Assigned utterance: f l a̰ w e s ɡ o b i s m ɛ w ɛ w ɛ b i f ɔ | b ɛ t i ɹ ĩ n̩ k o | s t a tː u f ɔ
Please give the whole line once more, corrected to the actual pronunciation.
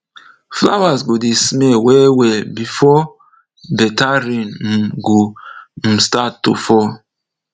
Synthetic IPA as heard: f l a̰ w a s ɡ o d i s m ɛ w ɛ w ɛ b i f ɔ | b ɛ t a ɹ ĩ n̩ ɡ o | s t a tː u f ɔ

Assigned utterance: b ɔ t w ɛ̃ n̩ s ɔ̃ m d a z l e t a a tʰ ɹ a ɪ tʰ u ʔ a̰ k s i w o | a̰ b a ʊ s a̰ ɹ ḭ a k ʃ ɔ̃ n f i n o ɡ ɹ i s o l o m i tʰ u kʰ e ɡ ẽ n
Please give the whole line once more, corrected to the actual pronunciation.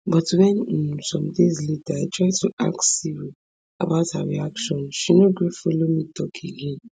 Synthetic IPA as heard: b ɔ t w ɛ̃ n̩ s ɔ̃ m d e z l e t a a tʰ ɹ a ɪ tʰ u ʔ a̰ k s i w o | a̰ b a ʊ t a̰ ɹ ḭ a k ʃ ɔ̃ n ʃ i n o ɡ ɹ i f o l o m i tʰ ɔ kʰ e ɡ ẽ n

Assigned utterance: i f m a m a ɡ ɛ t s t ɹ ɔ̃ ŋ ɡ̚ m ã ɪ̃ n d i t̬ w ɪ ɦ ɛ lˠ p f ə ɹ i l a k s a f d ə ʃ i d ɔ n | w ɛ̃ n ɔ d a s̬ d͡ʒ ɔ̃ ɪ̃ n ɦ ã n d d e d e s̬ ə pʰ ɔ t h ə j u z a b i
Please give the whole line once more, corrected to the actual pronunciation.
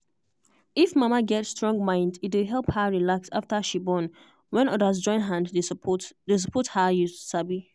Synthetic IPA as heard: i f m a m a ɡ ɛ t s t ɹ ɔ̃ ŋ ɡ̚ m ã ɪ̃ n d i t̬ w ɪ ɦ ɛ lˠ p h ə ɹ i l a k s a f t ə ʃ i b ɔ n | w ɛ̃ n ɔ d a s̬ d͡ʒ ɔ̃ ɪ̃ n ɦ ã n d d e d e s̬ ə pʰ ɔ t h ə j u s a b i

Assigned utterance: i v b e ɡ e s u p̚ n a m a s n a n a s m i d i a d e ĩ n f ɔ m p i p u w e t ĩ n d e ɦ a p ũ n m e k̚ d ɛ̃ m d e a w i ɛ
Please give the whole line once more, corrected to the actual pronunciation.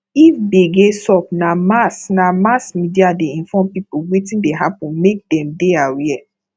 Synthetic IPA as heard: i f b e ɡ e s ɔ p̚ n a m a s n a m a s m i d i a d e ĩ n f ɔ m p i p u w e t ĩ n d e ɦ a p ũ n m e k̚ d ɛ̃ m d e a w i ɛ

